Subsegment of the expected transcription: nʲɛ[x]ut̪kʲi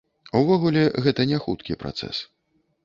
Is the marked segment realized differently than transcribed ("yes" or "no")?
no